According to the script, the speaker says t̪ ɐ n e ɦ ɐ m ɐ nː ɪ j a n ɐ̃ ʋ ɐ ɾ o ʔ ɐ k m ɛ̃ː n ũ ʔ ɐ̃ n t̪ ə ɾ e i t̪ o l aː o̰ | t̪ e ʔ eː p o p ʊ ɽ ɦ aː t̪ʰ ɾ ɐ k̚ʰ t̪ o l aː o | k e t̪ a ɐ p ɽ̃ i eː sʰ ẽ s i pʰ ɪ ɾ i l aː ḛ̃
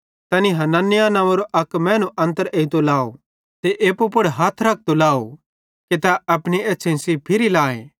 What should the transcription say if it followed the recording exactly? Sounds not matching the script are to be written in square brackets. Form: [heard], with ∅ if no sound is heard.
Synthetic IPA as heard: t̪ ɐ n [i] ɦ ɐ [n] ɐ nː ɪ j a n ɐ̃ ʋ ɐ ɾ o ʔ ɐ k m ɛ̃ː n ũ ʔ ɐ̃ n t̪ ə ɾ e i t̪ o l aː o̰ | t̪ e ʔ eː p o p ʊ ɽ ɦ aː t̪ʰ ɾ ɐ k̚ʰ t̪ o l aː o | k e t̪ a ɐ p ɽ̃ i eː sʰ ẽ s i pʰ ɪ ɾ i l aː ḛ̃

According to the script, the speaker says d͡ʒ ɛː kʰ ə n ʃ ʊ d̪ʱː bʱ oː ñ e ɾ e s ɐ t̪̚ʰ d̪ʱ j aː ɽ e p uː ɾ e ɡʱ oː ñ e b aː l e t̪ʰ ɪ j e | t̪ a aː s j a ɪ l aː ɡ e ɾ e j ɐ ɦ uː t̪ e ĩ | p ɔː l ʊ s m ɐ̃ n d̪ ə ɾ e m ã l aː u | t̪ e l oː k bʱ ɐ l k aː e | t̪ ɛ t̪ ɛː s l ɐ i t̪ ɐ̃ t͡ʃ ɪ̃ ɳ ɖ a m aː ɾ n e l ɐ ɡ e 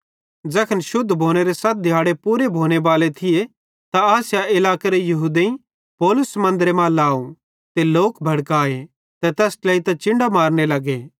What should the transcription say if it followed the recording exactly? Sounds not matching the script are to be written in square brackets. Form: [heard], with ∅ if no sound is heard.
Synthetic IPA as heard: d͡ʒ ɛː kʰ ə n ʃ ʊ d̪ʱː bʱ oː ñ e ɾ e s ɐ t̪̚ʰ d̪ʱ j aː ɽ e p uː ɾ e [bʱ] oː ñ e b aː l e t̪ʰ ɪ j e | t̪ a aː s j a ɪ l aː [k] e ɾ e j ɐ ɦ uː [d̪] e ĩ | p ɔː l ʊ s m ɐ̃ n d̪ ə ɾ e m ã l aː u | t̪ e l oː k bʱ ɐ [ɽ] k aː e | t̪ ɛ t̪ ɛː s l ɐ i t̪ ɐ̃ t͡ʃ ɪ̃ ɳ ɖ a m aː ɾ n e l ɐ ɡ e

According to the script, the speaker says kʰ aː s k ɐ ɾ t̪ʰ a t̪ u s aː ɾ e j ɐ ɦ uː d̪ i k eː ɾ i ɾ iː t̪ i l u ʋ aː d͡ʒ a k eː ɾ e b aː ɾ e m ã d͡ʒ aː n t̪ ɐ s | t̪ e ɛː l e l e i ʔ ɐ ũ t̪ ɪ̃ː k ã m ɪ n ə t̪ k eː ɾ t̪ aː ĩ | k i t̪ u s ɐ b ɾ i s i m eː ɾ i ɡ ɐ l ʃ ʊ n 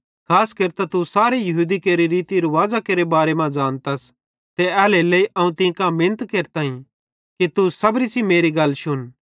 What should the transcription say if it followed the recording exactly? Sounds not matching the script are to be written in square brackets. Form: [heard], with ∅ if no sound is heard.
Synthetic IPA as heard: kʰ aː s k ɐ ɾ [t̪] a t̪ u s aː ɾ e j ɐ ɦ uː d̪ i k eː ɾ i ɾ iː t̪ i [ɾ] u ʋ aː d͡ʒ a k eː ɾ e b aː ɾ e m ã d͡ʒ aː n t̪ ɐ s | t̪ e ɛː l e l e i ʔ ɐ ũ t̪ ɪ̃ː k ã m ɪ n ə t̪ k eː ɾ t̪ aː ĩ | k i t̪ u s ɐ b ɾ i s i m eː ɾ i ɡ ɐ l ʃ ʊ n

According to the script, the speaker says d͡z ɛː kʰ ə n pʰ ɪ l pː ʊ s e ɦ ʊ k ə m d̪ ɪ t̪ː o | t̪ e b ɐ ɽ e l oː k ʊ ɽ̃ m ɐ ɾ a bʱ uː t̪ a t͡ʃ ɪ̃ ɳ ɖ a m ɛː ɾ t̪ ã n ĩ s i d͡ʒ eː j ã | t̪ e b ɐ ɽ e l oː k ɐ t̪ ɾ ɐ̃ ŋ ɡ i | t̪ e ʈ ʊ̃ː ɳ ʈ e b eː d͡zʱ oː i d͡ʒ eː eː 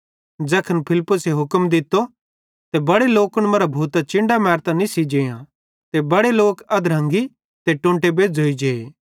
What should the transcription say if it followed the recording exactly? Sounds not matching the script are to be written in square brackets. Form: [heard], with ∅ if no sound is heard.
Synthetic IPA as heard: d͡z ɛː kʰ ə n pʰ ɪ l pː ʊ s e ɦ ʊ k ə m d̪ ɪ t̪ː o | t̪ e b ɐ ɽ e l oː k ʊ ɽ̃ m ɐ ɾ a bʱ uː t̪ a t͡ʃ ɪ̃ ɳ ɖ a m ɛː ɾ t̪ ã n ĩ s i d͡ʒ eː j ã | t̪ e b ɐ ɽ e l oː k ɐ [d̪] ɾ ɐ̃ ŋ ɡ i | t̪ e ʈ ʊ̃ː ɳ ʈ e b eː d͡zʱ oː i d͡ʒ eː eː

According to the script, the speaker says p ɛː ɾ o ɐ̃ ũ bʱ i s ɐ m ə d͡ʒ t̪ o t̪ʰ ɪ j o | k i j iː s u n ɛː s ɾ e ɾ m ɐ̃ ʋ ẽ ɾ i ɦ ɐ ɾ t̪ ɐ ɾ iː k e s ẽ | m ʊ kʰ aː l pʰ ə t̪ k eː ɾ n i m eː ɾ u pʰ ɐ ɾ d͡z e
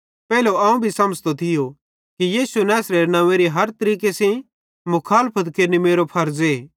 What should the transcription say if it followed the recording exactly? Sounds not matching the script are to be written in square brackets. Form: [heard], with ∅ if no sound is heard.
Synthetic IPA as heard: p ɛː [l] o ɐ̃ ũ bʱ i s ɐ m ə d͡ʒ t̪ o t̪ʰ ɪ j o | k i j iː s u n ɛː s ɾ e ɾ [n] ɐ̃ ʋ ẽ ɾ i ɦ ɐ ɾ t̪ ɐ ɾ iː k e s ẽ | m ʊ kʰ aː l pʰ ə t̪ k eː ɾ n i m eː ɾ [o] pʰ ɐ ɾ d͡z e

